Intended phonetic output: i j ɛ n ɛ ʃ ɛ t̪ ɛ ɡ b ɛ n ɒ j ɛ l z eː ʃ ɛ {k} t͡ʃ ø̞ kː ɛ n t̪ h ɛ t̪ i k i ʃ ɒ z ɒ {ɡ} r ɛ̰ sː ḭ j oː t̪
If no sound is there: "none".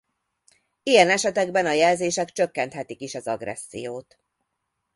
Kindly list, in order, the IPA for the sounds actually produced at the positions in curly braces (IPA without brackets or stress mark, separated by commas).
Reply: k, ɡ